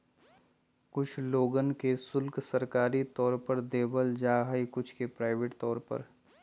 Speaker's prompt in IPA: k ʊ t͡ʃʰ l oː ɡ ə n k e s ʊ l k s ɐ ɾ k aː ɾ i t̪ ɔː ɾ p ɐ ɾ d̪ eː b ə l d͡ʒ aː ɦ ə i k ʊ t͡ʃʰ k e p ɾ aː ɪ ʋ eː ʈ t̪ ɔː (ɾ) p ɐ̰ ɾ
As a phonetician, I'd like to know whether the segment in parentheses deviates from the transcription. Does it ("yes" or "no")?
no